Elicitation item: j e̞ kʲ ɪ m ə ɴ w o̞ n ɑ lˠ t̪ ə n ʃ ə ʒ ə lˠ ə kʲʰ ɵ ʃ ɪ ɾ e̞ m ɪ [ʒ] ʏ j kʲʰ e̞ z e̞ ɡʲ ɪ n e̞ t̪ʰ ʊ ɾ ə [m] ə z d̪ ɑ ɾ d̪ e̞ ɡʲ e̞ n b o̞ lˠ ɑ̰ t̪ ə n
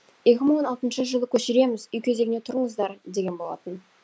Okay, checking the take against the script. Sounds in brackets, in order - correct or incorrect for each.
incorrect: z, incorrect: ɴ

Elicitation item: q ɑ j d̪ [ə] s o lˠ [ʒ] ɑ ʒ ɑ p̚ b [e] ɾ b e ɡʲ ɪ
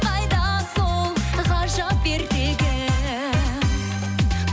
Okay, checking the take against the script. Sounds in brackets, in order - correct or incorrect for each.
incorrect: ɑ, incorrect: ʁ, correct

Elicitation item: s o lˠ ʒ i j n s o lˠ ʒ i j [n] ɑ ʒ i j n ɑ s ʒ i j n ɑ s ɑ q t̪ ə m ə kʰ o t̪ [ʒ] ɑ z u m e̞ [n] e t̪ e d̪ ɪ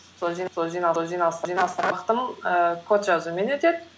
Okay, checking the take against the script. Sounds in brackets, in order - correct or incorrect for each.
correct, correct, correct

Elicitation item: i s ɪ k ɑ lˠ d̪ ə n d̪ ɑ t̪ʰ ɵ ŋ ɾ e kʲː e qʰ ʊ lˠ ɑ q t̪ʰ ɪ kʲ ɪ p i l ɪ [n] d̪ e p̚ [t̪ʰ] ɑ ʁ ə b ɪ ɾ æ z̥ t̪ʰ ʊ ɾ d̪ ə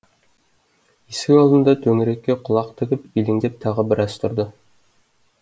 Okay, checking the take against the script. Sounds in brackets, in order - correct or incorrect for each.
incorrect: ŋ, correct

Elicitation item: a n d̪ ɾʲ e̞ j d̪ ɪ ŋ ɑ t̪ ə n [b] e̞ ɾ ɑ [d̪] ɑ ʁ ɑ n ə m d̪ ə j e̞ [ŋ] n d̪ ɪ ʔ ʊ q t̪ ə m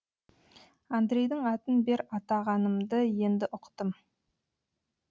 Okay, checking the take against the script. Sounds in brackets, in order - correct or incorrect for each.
correct, incorrect: t̪, incorrect: none

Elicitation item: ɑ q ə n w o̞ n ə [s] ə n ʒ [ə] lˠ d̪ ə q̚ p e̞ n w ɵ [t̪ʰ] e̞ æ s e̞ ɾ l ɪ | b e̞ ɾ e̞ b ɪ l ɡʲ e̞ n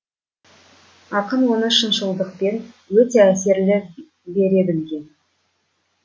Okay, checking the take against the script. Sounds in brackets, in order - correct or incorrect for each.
incorrect: ʃ, correct, incorrect: t̪

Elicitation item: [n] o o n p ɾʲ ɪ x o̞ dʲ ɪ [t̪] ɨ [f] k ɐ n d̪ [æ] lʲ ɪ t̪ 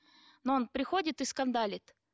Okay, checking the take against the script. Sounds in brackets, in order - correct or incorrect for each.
correct, correct, incorrect: s, incorrect: a

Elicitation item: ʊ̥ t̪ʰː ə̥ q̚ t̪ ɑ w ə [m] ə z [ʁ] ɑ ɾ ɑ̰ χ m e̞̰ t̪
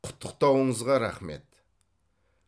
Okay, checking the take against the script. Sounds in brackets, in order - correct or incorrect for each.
incorrect: ɴ, correct

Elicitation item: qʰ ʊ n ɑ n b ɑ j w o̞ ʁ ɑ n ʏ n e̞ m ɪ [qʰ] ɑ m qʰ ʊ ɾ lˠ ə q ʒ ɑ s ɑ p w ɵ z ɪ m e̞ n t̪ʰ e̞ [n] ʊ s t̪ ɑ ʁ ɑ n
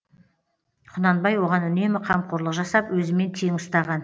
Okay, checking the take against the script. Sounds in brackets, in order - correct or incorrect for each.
correct, incorrect: ŋ

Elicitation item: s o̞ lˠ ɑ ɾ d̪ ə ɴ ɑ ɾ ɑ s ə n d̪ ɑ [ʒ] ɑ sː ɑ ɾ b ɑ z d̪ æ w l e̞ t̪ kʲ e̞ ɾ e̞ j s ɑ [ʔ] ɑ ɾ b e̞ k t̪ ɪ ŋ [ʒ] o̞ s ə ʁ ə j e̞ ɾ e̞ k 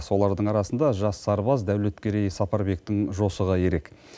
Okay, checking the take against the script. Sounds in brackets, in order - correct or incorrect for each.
correct, incorrect: p, correct

